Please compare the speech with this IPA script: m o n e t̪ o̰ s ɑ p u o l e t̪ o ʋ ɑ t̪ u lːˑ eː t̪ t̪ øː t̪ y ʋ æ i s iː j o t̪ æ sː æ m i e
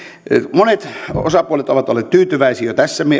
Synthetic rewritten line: m o n e t̪ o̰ s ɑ p u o l e t̪ o ʋ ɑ t̪ o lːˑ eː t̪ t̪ yː t̪ y ʋ æ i s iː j o t̪ æ sː æ m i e